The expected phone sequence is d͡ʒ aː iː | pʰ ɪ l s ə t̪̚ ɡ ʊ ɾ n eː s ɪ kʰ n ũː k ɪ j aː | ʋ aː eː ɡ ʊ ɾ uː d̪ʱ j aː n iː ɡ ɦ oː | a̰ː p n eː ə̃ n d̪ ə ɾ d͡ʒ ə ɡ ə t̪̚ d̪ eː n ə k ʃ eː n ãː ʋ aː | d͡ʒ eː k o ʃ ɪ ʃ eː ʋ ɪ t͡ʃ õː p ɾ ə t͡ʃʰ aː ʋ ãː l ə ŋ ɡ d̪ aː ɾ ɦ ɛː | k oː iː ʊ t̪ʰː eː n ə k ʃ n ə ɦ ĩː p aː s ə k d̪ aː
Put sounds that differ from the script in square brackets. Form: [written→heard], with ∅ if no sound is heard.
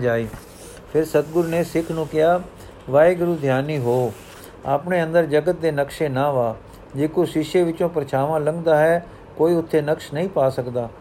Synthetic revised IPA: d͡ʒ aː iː | pʰ ɪ [l→ɾ] s ə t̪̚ ɡ ʊ ɾ n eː s ɪ kʰ n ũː k ɪ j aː | ʋ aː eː ɡ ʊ ɾ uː d̪ʱ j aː n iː [ɡ→∅] ɦ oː | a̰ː p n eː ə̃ n d̪ ə ɾ d͡ʒ ə ɡ ə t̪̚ d̪ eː n ə k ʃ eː n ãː ʋ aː | d͡ʒ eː k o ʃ ɪ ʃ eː ʋ ɪ t͡ʃ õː p ɾ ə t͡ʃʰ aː ʋ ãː l ə ŋ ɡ d̪ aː [ɾ→∅] ɦ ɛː | k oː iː ʊ t̪ʰː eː n ə k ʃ n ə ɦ ĩː p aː s ə k d̪ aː